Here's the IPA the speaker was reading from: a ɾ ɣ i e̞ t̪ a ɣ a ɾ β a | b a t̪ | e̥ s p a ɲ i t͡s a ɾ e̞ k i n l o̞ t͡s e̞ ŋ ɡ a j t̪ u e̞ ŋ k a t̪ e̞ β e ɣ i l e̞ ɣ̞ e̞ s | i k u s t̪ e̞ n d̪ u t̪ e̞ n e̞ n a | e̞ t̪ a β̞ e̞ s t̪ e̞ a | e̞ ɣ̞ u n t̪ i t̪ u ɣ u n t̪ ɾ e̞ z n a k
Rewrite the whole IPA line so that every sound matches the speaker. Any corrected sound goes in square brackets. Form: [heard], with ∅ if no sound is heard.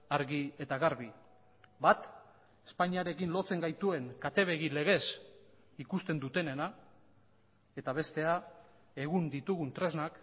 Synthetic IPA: a ɾ ɣ i e̞ t̪ a ɣ a ɾ β [i] | b a t̪ | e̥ s p a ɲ i [∅] a ɾ e̞ k i n l o̞ t͡s e̞ ŋ ɡ a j t̪ u e̞ ŋ k a t̪ e̞ β e ɣ i l e̞ ɣ̞ e̞ s | i k u s t̪ e̞ n d̪ u t̪ e̞ n e̞ n a | e̞ t̪ a β̞ e̞ s t̪ e̞ a | e̞ ɣ̞ u n [d̪] i t̪ u ɣ u n t̪ ɾ e̞ z n a k